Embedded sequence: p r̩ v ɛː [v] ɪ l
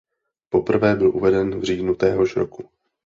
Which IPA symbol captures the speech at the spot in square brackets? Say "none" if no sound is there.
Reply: b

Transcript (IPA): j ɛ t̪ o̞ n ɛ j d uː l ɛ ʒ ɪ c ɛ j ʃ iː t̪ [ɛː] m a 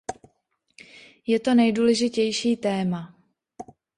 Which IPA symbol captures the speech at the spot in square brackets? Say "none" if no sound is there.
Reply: ɛː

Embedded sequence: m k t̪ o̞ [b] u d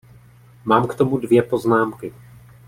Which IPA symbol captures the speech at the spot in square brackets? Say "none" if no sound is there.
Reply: m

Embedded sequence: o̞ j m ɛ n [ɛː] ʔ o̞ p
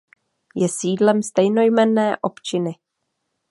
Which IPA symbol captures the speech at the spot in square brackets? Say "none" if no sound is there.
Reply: ɛː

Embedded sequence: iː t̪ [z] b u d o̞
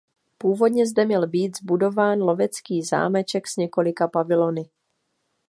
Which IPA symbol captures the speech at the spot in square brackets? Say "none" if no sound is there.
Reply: z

